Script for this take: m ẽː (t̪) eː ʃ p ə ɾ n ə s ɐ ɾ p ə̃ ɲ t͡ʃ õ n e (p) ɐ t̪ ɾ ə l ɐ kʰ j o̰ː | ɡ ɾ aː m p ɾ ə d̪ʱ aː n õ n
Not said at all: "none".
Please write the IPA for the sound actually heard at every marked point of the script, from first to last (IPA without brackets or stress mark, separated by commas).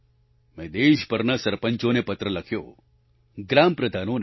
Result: d̪, p